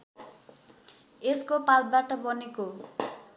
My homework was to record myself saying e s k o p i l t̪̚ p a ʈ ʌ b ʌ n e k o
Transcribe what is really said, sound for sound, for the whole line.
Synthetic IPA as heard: e s k o p a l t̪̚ b a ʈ ʌ b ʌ n e k o

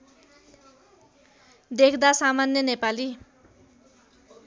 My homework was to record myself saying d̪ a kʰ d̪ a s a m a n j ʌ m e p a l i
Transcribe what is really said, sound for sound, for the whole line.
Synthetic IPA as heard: d̪ e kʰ d̪ a s a m a n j ʌ n e p a l i

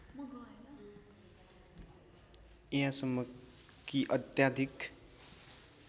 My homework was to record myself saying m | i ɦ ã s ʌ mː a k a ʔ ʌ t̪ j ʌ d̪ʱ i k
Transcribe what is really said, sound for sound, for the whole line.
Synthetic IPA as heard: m | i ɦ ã s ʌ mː ʌ k i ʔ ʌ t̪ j a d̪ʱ i k

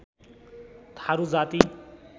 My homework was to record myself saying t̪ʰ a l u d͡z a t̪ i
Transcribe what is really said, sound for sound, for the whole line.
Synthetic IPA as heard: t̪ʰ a ɾ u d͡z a t̪ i

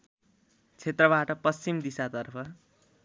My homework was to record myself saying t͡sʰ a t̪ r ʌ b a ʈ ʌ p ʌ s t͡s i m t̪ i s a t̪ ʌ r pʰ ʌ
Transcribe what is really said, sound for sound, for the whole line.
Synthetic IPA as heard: t͡sʰ e t̪ r ʌ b a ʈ ʌ p ʌ s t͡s i m d̪ i s a t̪ ʌ r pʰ ʌ

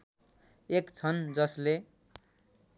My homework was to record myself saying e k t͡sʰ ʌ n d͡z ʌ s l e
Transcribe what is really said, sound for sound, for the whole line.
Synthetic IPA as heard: e k t͡sʰ ʌ n d͡z ʌ s l e

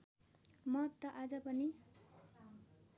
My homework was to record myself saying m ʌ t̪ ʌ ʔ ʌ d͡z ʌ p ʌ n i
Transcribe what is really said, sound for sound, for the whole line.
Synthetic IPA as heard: m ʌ t̪ ʌ ʔ a d͡z ʌ p ʌ n i

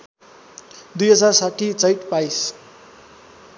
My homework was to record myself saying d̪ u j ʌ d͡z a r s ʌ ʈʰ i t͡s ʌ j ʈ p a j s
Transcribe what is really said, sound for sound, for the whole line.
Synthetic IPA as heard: d̪ u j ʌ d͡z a r s a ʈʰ i t͡s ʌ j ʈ p a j s

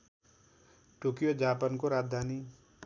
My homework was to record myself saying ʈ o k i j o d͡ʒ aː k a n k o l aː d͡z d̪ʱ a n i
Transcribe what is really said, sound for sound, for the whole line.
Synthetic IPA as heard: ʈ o k i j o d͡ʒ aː p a n k o ɾ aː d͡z d̪ʱ a n i

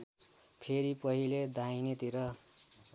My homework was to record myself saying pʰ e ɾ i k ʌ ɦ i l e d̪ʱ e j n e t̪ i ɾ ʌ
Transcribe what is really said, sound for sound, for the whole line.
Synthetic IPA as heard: pʰ e ɾ i p ʌ ɦ i l e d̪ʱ a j n e t̪ i ɾ ʌ

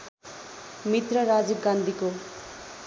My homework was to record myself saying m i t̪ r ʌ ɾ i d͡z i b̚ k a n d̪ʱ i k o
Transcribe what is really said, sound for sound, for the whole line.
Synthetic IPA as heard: m i t̪ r ʌ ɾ a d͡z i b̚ ɡ a n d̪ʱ i k o

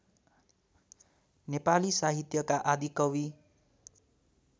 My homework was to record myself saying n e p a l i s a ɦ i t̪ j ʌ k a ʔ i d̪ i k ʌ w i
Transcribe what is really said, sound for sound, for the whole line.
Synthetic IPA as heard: n e p a l i s a ɦ i t̪ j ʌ k a ʔ a d̪ i k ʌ w i

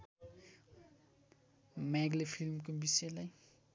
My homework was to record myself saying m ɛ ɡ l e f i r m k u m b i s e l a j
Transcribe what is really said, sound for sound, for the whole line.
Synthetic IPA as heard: m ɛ ɡ l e f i l m k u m b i s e l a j

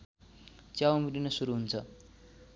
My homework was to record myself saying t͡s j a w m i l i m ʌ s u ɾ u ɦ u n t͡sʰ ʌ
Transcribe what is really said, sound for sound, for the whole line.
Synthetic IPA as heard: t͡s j a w m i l i n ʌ s u ɾ u ɦ u n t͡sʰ ʌ

